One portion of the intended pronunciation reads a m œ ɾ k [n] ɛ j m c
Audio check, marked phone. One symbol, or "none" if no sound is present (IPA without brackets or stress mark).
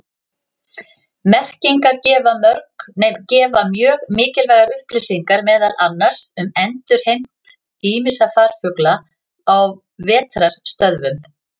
n